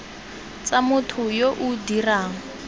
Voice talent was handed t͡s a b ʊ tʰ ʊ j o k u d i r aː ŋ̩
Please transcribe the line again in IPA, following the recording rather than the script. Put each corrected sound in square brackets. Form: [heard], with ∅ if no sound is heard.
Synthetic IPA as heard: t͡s a [m] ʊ tʰ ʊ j o [ʔ] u d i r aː ŋ̩